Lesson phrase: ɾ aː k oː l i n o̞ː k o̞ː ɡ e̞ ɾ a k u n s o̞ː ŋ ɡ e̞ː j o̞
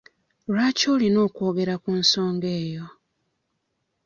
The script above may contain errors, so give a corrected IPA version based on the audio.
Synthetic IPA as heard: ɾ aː c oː l i n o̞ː k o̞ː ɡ e̞ ɾ a k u n s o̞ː ŋ ɡ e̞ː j o̞